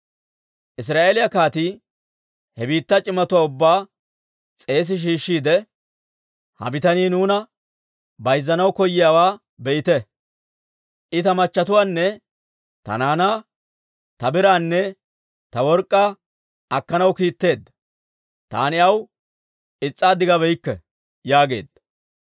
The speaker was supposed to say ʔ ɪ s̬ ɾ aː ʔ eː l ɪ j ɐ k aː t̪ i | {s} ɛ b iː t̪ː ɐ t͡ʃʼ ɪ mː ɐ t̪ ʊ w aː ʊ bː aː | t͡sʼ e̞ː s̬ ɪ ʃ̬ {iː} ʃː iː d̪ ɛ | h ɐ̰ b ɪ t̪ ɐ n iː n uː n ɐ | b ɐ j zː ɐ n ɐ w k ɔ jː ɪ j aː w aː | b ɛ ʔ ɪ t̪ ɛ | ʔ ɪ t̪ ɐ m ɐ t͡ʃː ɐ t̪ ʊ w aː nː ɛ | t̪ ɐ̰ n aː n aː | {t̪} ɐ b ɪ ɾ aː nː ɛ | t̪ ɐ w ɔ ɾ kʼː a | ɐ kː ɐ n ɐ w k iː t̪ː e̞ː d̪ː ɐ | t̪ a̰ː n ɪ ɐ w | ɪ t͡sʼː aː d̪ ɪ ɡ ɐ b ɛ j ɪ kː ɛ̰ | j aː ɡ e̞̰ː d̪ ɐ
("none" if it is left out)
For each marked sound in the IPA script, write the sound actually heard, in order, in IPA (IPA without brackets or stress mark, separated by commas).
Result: h, iː, t̪